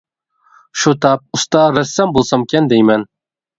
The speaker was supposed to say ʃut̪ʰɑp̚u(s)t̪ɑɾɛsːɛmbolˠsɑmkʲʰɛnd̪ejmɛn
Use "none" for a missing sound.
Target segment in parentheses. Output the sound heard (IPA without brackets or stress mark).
s